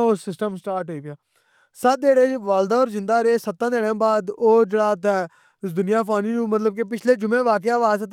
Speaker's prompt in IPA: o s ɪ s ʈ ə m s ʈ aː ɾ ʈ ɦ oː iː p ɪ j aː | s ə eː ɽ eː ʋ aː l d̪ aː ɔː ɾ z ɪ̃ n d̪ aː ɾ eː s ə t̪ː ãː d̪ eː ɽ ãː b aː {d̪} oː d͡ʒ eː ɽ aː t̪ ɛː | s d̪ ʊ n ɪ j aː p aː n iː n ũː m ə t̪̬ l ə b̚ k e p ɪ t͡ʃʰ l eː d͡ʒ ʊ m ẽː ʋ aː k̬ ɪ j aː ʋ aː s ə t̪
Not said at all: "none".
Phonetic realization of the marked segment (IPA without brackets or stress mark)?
d̪